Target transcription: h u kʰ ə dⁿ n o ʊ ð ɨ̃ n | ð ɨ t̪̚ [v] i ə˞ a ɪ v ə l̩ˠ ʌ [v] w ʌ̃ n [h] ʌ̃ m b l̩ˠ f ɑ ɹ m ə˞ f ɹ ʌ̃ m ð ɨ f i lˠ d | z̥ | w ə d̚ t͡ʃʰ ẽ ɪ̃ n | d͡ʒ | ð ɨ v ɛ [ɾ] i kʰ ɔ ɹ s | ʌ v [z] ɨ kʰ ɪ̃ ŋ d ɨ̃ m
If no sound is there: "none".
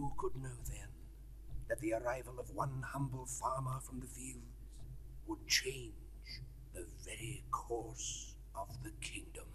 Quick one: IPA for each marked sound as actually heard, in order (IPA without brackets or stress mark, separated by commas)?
ð, v, h, ɹ, ð